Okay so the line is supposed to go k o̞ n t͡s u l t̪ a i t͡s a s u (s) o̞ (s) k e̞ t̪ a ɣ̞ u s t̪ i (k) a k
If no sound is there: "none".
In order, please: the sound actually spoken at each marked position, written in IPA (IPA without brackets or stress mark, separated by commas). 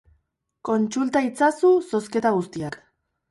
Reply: s, s, none